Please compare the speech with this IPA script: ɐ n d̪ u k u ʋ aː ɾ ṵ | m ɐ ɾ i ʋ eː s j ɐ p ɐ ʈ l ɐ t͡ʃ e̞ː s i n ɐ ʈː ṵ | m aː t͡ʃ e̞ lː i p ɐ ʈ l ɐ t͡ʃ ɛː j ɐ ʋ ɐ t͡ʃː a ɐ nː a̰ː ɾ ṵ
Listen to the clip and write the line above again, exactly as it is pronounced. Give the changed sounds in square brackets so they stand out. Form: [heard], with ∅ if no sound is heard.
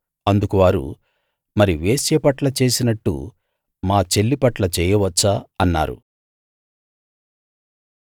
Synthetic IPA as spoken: ɐ n d̪ u k u ʋ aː ɾ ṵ | m ɐ ɾ i ʋ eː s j ɐ p ɐ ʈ l ɐ t͡ʃ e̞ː s i n ɐ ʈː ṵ | m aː t͡ʃ e̞ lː i p ɐ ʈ l ɐ t͡ʃ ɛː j ɐ ʋ ɐ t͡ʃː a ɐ nː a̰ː ɾ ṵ